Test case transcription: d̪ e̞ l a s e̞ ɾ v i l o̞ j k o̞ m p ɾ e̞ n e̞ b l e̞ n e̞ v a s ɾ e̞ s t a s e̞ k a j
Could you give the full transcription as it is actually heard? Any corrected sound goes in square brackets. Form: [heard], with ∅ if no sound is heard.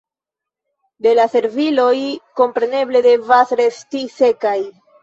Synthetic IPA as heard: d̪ e̞ l a s e̞ ɾ v i l o̞ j k o̞ m p ɾ e̞ n e̞ b l e̞ [d] e̞ v a s ɾ e̞ s t [i] s e̞ k a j